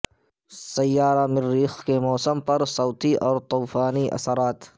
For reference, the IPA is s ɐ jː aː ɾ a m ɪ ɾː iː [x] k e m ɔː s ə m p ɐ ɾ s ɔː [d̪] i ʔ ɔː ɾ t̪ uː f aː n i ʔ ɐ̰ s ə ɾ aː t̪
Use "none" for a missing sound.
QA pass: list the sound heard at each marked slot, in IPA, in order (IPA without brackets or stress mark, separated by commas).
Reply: x, t̪